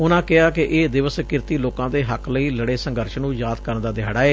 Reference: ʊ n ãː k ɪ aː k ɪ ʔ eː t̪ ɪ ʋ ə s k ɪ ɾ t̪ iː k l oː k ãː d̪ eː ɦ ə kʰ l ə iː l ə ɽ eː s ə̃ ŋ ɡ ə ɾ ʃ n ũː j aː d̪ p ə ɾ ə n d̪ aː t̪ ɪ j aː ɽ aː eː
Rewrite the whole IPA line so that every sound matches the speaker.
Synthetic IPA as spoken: ʊ n ãː k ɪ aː k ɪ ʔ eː d̪ ɪ ʋ ə s k ɪ ɾ t̪ iː l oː k ãː d̪ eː ɦ ə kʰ l ə iː l ə ɽ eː s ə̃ ŋ ɡ ə ɾ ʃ n ũː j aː d̪ k ə ɾ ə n d̪ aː d̪ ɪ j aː ɽ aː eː

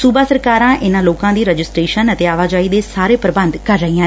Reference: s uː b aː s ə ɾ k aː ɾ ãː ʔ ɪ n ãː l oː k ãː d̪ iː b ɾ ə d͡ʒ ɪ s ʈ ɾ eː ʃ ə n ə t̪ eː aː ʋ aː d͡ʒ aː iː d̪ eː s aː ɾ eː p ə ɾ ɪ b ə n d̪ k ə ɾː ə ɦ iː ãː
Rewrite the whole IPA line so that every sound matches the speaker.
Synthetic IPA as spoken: s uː b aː s ə ɾ k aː ɾ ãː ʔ ɪ n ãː l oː k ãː d̪ iː ɾ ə d͡ʒ ɪ s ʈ ɾ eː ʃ ə n ə t̪ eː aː ʋ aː d͡ʒ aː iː d̪ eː s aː ɾ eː p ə ɾ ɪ b ə n d̪ k ə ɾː ə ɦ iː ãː

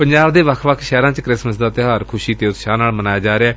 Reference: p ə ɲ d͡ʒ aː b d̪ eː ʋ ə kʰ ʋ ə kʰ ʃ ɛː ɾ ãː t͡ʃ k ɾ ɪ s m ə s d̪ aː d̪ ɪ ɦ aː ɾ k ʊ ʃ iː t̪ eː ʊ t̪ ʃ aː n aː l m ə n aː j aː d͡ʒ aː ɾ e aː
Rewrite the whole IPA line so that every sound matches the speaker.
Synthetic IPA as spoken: p ə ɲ d͡ʒ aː b d̪ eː ʋ ə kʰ ʋ ə kʰ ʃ ɛː ɾ ãː t͡ʃ k ɾ ɪ s m ə s d̪ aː t̪ ɪ ɦ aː ɾ kʰ ʊ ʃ iː t̪ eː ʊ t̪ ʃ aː n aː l m ə n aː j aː d͡ʒ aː ɾ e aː

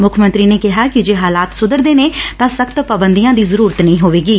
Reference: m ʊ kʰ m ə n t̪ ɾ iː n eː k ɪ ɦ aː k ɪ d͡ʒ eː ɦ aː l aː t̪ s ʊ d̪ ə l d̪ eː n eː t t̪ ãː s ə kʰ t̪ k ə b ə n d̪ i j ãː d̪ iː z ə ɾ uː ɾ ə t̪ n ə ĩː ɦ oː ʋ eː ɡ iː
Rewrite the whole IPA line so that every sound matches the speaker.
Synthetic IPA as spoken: m ʊ kʰ m ə n t̪ ɾ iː n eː k ɪ ɦ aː k ɪ d͡ʒ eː ɦ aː l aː t̪ s ʊ d̪ ə ɾ d̪ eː n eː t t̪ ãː s ə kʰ t̪ p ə b ə n d̪ i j ãː d̪ iː z ə ɾ uː ɾ ə t̪ n ə ĩː ɦ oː ʋ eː ɡ iː

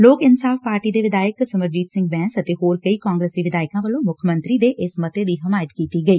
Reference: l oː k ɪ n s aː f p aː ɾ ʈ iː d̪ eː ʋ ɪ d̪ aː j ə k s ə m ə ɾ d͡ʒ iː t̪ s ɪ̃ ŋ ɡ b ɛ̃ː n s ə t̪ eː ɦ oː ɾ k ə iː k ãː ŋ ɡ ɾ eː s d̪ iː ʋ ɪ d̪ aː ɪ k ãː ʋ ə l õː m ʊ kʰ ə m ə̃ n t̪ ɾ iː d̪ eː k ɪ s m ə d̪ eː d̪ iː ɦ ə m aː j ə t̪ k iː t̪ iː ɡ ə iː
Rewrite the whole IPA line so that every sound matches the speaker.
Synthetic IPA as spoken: l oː k ɪ n s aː f p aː ɾ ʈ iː d̪ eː ʋ ɪ d̪ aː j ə k s ə m ə ɾ d͡ʒ iː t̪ s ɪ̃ ŋ ɡ b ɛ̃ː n s ə t̪ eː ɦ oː ɾ k ə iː k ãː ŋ ɡ ɾ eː s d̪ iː ʋ ɪ d̪ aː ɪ k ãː ʋ ə l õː m ʊ kʰ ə m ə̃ n t̪ ɾ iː d̪ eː ʔ ɪ s m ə t̪ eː d̪ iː ɦ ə m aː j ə t̪ k iː t̪ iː ɡ ə iː

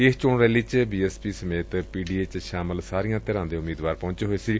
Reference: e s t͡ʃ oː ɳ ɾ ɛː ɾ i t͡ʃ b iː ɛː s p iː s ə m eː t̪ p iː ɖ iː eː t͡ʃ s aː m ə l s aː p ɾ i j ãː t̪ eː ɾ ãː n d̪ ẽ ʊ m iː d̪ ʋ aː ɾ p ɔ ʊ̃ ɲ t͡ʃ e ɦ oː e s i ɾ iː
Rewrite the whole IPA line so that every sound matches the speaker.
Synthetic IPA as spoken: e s t͡ʃ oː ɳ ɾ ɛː l i t͡ʃ b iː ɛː s p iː s ə m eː t̪ p iː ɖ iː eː t͡ʃ ʃ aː m ə l s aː ɾ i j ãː t̪ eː ɾ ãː n d̪ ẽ ʊ m iː d̪ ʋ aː ɾ p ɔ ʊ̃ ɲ t͡ʃ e ɦ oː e s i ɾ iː

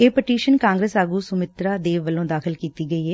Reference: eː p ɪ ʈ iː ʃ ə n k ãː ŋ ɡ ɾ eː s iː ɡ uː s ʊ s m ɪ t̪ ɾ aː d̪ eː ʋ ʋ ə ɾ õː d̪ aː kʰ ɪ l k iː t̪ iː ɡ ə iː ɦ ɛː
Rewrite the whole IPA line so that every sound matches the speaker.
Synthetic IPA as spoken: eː p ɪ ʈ iː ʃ ə n k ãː ŋ ɡ ɾ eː s aː ɡ uː s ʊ m ɪ t̪ ɾ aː d̪ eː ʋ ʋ ə l õː d̪ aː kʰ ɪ l k iː t̪ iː ɡ ə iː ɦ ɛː

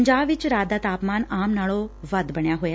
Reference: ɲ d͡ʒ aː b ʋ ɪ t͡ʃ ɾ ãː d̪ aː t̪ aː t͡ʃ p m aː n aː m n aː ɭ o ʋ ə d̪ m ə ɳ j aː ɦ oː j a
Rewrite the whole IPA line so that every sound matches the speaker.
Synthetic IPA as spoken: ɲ d͡ʒ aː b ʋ ɪ t͡ʃ ɾ aː d̪ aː t̪ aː p m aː n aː m n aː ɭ o ʋ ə d̪ b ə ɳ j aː ɦ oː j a

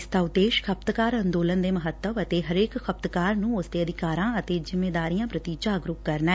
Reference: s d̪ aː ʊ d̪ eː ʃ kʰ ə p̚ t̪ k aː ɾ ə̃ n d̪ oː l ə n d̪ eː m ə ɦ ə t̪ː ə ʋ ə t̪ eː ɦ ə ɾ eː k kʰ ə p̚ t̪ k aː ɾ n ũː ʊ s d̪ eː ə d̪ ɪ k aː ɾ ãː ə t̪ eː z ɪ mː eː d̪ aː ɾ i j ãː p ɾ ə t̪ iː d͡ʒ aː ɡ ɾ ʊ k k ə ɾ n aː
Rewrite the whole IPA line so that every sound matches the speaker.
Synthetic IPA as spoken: s t̪ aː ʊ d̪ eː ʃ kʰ ə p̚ t̪ k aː ɾ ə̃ n d̪ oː l ə n d̪ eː m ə ɦ ə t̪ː ə ʋ ə t̪ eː ɦ ə ɾ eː k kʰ ə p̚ t̪ k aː ɾ n ũː ʊ s d̪ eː ə d̪ ɪ k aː ɾ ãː ə t̪ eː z ɪ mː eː d̪ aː ɾ i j ãː p ɾ ə t̪ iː d͡ʒ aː ɡ ɾ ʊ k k ə ɾ n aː

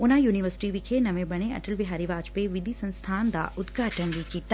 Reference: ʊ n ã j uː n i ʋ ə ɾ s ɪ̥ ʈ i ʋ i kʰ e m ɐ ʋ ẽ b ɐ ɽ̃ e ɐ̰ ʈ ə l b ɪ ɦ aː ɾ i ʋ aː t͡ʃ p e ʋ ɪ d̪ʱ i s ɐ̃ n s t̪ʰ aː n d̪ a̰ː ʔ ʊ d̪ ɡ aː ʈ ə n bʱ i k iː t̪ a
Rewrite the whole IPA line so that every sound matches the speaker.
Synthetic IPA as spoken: ʊ n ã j uː n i ʋ ə ɾ s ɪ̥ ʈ i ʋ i kʰ e n ɐ ʋ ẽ b ɐ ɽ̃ e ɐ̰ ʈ ə l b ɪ ɦ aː ɾ i ʋ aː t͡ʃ p e ʋ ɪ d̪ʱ i s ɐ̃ n s t̪ʰ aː n d̪ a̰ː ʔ ʊ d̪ ɡ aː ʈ ə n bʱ i k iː t̪ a

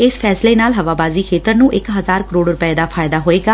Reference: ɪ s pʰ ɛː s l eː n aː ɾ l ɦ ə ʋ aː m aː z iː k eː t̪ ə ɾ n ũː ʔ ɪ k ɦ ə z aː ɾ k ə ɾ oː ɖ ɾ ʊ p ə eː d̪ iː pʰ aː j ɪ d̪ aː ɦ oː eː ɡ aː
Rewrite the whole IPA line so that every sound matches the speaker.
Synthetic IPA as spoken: ɪ s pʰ ɛː s l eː n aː l ɦ ə ʋ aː b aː z iː kʰ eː t̪ ə ɾ n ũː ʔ ɪ k ɦ ə z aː ɾ k ə ɾ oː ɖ ɾ ʊ p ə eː d̪ aː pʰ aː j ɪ d̪ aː ɦ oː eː ɡ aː

